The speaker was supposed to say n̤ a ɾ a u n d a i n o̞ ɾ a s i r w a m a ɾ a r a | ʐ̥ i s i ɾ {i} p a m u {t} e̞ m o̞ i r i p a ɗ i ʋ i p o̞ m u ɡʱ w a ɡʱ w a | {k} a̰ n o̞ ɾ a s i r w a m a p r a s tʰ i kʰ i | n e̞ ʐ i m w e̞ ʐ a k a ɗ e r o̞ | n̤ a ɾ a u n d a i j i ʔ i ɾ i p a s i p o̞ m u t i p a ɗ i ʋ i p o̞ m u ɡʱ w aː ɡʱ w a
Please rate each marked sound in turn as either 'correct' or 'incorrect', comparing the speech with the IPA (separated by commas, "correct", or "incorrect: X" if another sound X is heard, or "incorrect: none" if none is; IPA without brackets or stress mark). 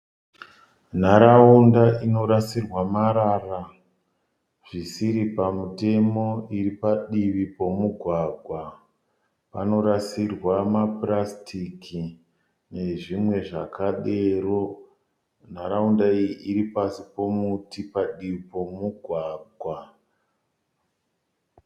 correct, correct, incorrect: p